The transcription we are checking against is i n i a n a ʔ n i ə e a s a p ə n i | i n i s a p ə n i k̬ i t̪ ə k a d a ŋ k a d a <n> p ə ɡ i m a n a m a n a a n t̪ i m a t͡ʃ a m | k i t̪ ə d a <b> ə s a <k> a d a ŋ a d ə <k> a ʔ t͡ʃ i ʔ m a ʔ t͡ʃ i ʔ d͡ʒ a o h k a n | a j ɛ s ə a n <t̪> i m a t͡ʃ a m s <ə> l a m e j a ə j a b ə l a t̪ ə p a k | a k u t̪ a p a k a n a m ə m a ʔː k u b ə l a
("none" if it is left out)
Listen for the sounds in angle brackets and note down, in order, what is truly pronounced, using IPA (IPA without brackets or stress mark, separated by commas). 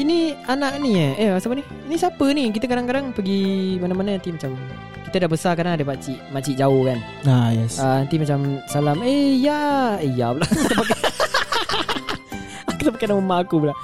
ŋ, b, k, p, t̪, a